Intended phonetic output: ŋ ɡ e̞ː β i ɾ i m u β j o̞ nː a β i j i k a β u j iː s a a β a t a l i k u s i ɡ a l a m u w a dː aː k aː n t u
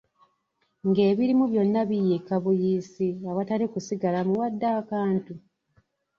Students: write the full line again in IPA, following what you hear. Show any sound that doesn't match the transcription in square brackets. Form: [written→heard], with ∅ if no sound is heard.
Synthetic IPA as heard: ŋ ɡ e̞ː β i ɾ i m u β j o̞ nː a β i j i k a β u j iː s [a→i] a β a t a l i k u s i ɡ a l a m u w a dː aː k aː n t u